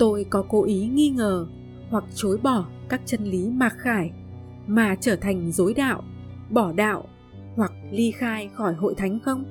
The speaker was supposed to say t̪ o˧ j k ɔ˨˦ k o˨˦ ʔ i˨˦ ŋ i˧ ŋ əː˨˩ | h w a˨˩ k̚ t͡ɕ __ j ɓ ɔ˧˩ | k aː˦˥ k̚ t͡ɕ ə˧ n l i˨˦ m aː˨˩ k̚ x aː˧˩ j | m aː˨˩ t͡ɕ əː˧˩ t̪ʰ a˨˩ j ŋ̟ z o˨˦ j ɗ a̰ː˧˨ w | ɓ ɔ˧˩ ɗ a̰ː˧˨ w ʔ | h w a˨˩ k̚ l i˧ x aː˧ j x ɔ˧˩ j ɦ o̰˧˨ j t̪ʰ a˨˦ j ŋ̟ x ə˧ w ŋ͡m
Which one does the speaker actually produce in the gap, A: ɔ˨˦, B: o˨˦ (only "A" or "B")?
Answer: B